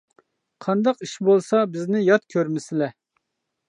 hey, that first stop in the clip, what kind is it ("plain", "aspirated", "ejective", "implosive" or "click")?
aspirated